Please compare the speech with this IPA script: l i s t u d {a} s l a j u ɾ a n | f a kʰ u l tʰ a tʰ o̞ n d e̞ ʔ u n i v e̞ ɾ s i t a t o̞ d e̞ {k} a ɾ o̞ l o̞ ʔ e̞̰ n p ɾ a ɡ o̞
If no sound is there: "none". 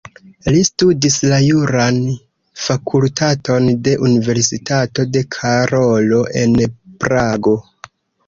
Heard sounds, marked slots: i, kʰ

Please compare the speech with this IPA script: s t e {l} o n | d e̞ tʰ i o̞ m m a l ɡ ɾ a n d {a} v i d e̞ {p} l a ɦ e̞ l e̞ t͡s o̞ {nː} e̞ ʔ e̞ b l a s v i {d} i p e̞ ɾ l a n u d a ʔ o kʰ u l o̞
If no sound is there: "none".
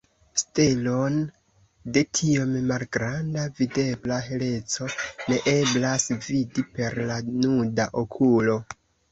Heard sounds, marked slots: l, a, b, n, d

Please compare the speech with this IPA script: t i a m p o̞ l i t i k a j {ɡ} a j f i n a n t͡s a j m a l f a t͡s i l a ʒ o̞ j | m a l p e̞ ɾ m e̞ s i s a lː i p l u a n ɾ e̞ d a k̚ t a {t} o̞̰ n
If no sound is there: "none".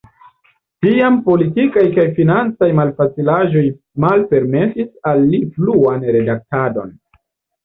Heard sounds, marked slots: k, d

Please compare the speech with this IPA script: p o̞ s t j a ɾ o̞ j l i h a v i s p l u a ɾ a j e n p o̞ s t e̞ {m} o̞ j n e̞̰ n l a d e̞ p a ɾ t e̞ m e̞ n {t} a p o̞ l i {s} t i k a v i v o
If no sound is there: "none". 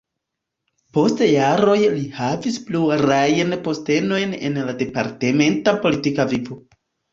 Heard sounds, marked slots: n, t, none

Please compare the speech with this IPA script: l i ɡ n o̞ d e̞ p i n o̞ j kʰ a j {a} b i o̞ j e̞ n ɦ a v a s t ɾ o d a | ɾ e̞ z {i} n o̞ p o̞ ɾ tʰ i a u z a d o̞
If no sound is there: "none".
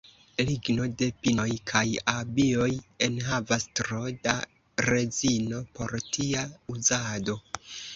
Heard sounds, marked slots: a, i

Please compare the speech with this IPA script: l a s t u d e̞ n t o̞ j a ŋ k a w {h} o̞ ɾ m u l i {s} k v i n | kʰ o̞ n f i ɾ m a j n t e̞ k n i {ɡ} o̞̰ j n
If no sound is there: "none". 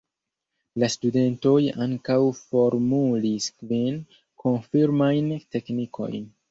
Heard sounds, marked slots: f, s, k

